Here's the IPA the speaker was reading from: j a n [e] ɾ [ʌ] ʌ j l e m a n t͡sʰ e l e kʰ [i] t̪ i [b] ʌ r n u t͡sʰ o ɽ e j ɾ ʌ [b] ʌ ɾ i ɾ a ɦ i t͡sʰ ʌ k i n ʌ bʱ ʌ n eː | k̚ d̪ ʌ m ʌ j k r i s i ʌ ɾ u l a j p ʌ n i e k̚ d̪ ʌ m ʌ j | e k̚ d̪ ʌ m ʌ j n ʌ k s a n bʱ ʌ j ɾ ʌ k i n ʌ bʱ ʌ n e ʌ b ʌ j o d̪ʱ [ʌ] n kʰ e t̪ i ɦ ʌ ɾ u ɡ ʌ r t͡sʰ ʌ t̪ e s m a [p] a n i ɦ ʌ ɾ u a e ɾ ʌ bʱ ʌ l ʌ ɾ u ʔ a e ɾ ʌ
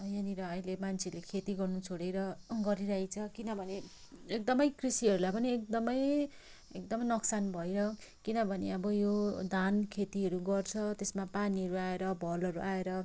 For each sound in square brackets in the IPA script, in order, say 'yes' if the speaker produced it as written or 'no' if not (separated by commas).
no, yes, no, no, no, no, yes